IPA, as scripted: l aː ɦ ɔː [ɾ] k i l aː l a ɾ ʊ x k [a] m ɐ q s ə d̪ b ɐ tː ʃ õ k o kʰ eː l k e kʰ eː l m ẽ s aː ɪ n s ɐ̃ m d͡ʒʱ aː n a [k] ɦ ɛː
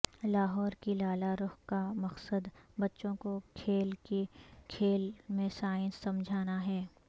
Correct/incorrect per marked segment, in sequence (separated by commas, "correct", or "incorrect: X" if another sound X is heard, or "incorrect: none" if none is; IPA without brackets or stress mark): correct, correct, incorrect: none